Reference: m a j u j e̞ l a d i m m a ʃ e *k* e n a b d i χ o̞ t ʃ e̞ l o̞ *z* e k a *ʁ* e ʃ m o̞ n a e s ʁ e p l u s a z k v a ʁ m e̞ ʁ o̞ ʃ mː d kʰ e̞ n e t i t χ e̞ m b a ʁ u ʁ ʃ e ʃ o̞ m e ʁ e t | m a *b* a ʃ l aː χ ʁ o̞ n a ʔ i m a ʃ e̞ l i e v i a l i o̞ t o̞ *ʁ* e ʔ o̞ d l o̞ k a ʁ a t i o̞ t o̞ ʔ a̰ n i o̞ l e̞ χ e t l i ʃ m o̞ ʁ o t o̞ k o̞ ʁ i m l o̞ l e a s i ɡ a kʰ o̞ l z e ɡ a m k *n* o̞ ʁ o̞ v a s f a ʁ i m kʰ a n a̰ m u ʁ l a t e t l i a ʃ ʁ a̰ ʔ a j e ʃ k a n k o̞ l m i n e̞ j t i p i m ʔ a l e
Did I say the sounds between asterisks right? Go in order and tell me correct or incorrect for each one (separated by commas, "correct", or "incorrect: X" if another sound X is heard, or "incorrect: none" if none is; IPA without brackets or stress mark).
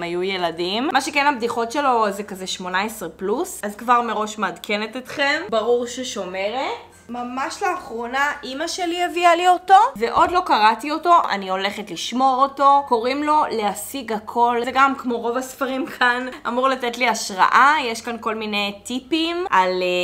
correct, correct, incorrect: z, incorrect: m, incorrect: v, incorrect: m